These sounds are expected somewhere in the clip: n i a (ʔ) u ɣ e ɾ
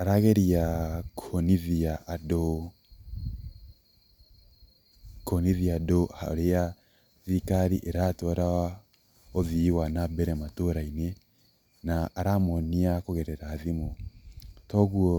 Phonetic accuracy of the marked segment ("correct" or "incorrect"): incorrect